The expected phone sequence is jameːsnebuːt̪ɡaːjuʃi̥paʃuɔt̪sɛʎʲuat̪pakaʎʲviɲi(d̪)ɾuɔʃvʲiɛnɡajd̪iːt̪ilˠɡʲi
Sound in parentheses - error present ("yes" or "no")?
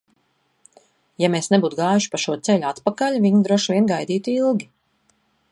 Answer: no